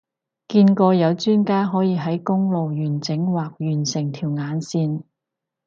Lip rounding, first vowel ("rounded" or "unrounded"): unrounded